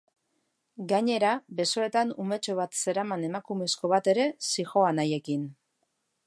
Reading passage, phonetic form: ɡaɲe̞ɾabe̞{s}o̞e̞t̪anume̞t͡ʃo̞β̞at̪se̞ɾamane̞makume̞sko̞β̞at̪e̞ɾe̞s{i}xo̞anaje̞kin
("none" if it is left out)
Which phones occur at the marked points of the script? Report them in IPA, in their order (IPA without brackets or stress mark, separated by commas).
s, i